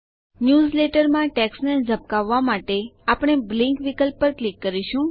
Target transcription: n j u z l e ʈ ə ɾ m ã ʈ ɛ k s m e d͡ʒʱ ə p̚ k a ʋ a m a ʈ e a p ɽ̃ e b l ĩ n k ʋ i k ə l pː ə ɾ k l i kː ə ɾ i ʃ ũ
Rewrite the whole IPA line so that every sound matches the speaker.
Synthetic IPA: n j u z l e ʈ ə ɾ m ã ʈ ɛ k s n e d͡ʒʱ ə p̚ k a ʋː a m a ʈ e a p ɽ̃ e b l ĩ ŋ k ʋ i k ə l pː ə ɾ k l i kː ə ɾ i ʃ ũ